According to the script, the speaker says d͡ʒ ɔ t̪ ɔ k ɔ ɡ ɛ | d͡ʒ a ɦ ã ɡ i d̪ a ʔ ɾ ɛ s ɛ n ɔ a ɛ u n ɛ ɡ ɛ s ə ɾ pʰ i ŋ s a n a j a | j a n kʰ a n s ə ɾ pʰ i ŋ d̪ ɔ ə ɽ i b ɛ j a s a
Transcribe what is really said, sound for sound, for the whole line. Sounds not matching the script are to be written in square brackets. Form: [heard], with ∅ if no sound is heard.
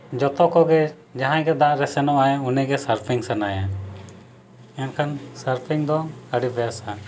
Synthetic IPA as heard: d͡ʒ ɔ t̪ ɔ k ɔ ɡ ɛ | d͡ʒ a ɦ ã ɡ [ɛ] d̪ a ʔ ɾ ɛ s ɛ n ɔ a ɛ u n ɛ ɡ ɛ s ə ɾ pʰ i ŋ s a n a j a | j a n kʰ a n s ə ɾ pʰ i ŋ d̪ ɔ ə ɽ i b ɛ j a s a